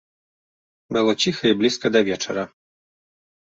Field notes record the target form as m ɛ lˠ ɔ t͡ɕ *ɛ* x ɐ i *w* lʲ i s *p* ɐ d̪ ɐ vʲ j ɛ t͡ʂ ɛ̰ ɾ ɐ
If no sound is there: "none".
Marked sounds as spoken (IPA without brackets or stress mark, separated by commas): i, b, k